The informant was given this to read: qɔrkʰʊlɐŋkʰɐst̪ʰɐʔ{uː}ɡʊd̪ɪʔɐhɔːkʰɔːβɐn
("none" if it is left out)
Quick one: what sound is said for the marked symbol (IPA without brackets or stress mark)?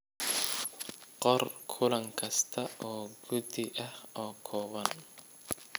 ɔː